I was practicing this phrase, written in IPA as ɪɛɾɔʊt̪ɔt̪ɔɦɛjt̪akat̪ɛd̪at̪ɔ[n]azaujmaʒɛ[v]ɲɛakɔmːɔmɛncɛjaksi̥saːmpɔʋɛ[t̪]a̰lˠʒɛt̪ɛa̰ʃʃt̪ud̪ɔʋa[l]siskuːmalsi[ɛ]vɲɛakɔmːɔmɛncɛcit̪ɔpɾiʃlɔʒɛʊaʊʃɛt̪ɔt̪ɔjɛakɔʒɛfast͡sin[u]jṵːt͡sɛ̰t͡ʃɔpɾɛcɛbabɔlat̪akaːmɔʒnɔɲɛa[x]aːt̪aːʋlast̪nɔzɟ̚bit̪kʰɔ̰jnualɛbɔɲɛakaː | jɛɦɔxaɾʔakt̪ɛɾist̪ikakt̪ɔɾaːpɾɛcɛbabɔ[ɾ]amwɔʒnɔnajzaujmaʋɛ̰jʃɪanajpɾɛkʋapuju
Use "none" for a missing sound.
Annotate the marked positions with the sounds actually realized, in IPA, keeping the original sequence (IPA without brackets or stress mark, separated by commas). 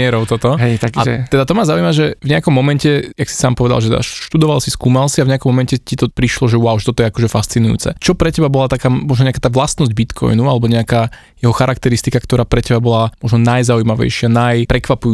m, v, d̪, l, a, u, k, l